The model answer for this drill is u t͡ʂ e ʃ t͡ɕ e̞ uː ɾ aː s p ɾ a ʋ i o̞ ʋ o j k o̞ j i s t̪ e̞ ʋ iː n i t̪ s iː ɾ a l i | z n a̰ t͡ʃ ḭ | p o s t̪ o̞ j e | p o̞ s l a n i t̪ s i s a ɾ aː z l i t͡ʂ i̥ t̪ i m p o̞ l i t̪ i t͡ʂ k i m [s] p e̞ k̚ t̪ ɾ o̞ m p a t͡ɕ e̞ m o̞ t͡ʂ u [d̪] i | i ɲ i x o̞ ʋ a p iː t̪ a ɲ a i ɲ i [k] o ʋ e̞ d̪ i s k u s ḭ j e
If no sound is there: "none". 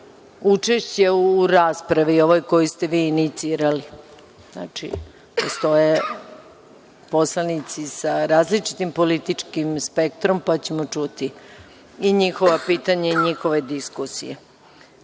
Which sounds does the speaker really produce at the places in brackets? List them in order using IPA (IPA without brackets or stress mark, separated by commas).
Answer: s, t̪, x